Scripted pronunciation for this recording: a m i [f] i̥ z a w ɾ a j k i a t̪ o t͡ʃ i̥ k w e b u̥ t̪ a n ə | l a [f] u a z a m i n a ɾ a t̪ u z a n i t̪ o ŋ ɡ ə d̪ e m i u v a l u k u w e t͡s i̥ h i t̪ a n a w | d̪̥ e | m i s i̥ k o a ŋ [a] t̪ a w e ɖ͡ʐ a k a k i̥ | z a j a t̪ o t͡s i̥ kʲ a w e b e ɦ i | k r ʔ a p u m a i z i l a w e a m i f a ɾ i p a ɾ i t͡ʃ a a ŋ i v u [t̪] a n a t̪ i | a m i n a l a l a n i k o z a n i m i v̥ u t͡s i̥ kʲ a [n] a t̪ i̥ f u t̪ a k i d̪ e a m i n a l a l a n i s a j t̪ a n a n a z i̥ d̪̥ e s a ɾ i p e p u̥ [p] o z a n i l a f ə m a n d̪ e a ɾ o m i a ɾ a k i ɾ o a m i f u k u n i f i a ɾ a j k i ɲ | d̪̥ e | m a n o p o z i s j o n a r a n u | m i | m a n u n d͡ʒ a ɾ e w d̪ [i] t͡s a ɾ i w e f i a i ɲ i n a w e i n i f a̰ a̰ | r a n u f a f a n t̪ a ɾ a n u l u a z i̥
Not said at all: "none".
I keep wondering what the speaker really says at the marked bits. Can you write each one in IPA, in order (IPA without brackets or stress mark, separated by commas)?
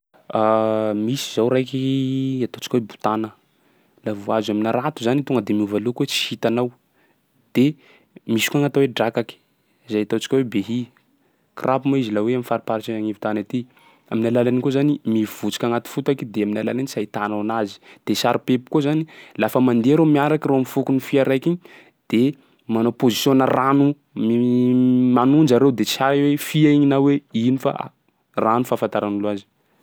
s, v, a, t̪, ŋ, k, e